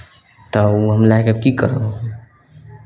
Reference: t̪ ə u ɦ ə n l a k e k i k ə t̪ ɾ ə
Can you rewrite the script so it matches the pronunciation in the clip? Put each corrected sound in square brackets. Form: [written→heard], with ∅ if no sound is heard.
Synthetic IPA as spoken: t̪ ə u ɦ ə [n→m] l a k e k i k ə [t̪→∅] ɾ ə